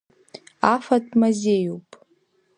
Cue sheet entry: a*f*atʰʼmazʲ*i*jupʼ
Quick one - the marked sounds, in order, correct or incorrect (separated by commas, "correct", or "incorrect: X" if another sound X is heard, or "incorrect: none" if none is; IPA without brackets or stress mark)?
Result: correct, incorrect: e